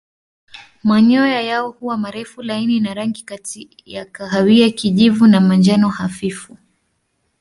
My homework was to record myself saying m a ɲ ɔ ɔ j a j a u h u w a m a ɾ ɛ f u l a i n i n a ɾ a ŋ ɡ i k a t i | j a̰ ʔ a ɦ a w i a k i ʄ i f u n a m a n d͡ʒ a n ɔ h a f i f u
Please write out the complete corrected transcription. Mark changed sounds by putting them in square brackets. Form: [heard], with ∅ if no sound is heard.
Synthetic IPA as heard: m a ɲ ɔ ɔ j a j a [ɔ] h u w a m a ɾ ɛ f u l a i n i n a ɾ a ŋ ɡ i k a t i | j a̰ [k] a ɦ a w i a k i ʄ i [v] u n a m a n d͡ʒ a n ɔ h a f i f u